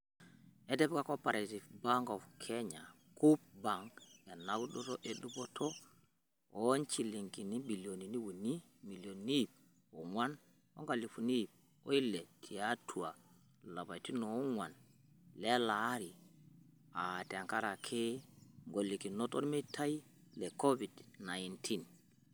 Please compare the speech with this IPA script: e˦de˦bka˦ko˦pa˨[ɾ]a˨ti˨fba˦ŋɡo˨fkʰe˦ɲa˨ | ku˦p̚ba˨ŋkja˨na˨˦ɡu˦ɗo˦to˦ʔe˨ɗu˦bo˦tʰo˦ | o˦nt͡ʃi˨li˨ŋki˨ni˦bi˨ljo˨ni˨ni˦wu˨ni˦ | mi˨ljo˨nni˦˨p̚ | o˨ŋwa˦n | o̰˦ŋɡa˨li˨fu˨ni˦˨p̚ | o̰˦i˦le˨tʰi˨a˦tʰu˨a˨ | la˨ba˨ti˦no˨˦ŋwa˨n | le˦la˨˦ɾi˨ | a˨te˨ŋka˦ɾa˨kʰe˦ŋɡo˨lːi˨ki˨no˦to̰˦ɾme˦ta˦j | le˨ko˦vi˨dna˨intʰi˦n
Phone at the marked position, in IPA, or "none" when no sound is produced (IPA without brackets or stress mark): ɾ